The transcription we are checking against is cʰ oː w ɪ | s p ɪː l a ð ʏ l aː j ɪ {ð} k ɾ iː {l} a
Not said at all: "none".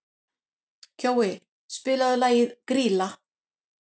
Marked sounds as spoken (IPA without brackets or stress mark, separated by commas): ð, l